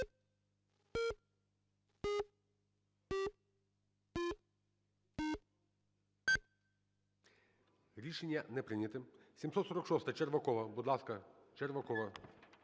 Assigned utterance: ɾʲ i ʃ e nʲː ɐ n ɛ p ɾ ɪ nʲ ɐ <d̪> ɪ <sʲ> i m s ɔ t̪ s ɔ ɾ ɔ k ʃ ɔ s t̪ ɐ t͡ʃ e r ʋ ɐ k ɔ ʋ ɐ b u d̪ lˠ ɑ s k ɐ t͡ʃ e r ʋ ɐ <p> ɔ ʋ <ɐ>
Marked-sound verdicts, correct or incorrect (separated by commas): incorrect, correct, incorrect, correct